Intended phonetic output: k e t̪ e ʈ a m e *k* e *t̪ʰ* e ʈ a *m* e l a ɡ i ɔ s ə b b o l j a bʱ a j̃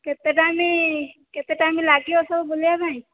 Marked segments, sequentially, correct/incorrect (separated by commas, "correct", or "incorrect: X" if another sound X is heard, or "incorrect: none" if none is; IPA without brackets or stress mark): correct, incorrect: t̪, correct